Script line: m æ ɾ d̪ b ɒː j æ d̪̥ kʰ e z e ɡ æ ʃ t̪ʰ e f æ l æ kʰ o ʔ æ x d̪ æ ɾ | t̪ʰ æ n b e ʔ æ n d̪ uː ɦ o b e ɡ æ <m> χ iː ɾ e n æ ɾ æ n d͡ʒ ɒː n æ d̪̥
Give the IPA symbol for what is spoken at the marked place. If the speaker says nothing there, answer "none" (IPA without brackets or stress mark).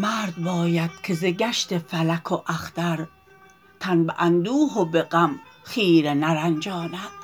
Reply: m